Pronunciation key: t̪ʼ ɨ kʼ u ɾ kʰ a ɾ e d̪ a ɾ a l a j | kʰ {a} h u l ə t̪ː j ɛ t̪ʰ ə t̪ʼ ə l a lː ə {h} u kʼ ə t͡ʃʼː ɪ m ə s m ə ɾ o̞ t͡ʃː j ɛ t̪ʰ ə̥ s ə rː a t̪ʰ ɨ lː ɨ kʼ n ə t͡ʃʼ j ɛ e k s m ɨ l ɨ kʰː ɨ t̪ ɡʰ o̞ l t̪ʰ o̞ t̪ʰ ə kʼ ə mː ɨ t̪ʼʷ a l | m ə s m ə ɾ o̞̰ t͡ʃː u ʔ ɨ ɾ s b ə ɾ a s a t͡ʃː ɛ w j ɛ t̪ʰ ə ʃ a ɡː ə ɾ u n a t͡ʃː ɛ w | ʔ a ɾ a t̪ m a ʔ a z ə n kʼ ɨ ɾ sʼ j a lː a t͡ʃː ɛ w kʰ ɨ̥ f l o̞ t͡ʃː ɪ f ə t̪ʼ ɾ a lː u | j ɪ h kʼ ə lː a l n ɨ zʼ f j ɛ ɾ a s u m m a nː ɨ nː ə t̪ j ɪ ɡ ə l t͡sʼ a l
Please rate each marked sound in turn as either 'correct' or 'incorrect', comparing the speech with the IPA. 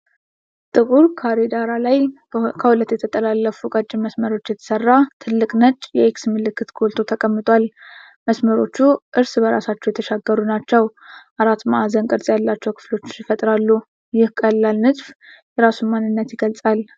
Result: incorrect: ə, incorrect: f

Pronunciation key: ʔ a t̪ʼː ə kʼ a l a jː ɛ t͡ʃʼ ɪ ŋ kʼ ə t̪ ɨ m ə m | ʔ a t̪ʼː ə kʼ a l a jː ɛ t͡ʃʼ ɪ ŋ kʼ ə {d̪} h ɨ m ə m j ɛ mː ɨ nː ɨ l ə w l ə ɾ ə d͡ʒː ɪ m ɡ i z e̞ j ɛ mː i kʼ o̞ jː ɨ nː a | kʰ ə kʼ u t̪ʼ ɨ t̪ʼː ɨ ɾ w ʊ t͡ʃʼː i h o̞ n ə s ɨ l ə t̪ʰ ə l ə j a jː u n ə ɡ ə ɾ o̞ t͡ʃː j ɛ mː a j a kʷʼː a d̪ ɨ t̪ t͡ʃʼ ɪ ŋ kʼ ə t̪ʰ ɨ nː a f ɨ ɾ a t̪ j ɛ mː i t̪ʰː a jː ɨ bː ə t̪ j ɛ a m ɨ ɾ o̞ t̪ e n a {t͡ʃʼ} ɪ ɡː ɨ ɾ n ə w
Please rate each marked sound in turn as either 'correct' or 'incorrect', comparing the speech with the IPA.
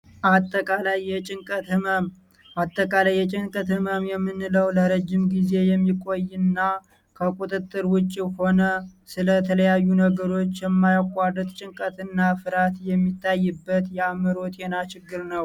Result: incorrect: t̪, incorrect: t͡ʃ

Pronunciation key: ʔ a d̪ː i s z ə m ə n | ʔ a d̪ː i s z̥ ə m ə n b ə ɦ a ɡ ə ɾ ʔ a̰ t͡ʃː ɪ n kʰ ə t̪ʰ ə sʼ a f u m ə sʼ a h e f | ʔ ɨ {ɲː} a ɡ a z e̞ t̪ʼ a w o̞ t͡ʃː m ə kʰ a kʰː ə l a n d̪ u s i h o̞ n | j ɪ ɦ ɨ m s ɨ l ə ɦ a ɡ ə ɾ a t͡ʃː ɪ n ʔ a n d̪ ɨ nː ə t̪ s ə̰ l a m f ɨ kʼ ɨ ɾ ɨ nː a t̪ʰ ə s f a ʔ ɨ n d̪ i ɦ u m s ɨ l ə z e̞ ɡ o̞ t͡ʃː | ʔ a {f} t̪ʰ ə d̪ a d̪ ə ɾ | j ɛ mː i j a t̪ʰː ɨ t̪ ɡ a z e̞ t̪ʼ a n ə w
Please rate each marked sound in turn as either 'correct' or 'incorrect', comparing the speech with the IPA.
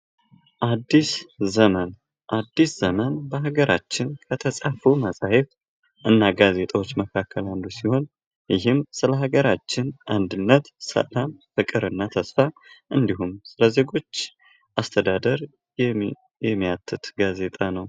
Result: incorrect: nː, incorrect: s

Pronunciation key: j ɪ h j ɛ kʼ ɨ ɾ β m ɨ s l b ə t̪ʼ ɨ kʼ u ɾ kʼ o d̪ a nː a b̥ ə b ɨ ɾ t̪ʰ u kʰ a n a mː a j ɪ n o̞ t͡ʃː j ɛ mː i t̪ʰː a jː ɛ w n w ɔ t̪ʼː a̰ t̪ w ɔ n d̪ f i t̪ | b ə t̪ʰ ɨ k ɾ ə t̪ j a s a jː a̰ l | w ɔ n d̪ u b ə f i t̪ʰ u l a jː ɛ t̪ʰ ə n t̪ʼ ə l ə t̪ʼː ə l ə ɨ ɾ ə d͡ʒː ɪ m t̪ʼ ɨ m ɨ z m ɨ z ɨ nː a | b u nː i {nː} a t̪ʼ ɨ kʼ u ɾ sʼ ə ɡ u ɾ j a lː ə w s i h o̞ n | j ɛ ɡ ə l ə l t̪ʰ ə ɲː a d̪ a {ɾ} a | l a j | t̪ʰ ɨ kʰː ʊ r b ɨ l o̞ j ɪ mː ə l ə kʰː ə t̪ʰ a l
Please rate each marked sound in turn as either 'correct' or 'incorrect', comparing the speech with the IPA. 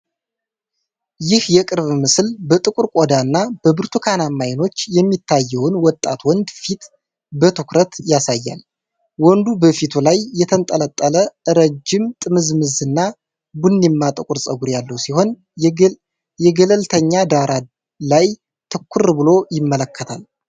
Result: incorrect: mː, correct

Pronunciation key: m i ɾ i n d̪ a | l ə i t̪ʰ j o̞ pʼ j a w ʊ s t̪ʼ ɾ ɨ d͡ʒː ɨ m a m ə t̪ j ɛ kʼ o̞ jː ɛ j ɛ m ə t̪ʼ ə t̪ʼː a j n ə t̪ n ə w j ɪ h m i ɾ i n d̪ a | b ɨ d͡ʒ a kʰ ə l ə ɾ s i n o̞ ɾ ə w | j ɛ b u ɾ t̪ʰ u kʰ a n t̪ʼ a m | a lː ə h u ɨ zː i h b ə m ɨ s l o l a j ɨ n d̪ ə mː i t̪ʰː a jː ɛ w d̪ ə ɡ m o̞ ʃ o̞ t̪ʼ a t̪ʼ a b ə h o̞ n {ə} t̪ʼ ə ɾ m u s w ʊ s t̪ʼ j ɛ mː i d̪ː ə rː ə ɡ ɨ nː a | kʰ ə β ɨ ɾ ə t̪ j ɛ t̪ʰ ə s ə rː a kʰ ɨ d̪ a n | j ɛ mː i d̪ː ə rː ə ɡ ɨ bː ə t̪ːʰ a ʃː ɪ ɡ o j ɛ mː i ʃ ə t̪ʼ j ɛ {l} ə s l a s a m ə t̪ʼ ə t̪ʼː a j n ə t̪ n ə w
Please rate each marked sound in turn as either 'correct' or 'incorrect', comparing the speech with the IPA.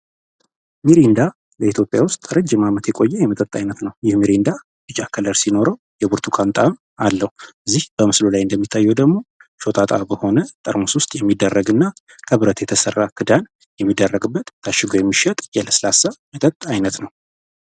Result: correct, correct

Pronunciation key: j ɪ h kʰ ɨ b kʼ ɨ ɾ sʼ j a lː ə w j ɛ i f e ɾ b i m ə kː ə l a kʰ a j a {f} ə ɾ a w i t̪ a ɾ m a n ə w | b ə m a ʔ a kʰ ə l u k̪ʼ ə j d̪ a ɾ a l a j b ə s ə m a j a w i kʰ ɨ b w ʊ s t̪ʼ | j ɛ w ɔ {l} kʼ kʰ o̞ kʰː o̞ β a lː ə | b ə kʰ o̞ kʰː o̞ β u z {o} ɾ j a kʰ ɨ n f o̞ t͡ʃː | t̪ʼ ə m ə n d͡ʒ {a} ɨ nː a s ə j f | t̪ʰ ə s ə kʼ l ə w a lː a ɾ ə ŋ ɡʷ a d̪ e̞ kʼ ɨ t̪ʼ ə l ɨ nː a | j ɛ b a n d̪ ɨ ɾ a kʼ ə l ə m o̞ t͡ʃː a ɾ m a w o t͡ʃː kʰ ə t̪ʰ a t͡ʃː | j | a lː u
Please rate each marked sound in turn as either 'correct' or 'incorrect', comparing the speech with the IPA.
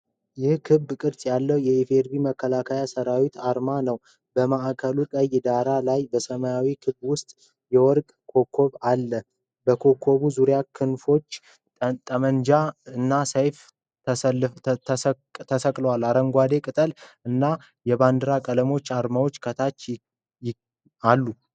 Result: incorrect: s, incorrect: ɾ, incorrect: u, correct

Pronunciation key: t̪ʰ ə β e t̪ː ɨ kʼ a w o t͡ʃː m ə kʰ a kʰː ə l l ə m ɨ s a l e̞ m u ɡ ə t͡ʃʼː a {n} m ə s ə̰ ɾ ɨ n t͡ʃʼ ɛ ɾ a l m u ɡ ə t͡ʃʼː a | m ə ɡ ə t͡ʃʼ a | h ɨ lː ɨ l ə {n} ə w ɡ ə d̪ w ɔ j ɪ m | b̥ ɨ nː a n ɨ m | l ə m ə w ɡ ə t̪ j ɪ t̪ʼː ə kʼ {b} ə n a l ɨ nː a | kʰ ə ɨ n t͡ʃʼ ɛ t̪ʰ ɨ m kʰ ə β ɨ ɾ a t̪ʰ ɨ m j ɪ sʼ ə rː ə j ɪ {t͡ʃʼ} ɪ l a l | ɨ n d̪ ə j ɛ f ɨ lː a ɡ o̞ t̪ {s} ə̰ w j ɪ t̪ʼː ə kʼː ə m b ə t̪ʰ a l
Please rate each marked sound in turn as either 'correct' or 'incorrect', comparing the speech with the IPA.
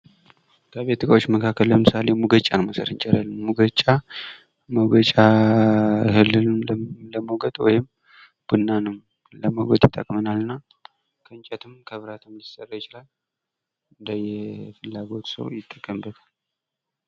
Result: correct, incorrect: m, incorrect: m, incorrect: t͡ʃ, correct

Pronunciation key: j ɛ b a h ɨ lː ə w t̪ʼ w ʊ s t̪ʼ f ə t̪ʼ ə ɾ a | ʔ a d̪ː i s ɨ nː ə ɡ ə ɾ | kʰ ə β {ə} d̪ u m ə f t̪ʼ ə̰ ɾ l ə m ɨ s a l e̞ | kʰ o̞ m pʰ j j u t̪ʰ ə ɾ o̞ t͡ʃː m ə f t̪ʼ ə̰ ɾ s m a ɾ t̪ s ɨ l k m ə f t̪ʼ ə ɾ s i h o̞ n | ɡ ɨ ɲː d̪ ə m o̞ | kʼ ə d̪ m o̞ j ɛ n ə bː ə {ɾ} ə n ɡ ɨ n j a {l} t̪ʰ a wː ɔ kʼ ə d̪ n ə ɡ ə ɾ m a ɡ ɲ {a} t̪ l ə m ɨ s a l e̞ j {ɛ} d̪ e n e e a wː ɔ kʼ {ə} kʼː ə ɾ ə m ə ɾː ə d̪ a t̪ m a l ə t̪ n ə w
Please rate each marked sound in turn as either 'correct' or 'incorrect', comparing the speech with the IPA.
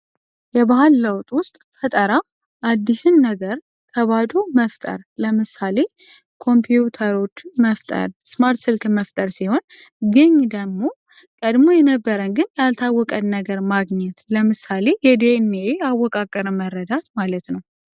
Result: incorrect: a, correct, correct, incorrect: ɛ, correct, incorrect: a

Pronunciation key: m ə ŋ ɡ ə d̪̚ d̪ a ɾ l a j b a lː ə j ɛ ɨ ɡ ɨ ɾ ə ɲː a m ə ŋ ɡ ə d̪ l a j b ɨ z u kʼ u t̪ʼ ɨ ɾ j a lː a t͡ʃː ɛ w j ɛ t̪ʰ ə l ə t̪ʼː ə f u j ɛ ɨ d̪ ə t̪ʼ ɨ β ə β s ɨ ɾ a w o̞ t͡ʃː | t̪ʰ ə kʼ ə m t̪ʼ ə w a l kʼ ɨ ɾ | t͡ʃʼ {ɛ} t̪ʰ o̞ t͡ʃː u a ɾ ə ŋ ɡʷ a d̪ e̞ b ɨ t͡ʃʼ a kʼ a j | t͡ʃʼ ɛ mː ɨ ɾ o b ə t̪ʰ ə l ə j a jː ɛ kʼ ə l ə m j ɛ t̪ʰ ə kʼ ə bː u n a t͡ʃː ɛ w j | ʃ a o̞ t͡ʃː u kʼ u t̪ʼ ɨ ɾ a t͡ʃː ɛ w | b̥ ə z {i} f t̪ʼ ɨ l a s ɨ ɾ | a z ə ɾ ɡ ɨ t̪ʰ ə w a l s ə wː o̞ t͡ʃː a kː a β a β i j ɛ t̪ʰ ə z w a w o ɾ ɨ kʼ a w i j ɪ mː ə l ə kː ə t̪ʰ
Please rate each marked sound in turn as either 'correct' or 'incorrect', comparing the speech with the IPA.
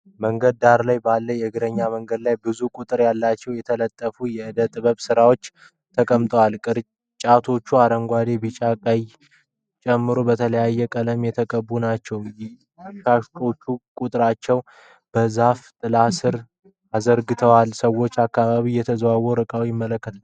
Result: incorrect: a, incorrect: a

